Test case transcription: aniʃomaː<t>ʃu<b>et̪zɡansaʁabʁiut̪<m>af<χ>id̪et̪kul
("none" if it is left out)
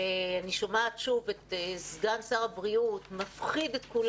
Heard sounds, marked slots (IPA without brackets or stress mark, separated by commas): t, v, m, χ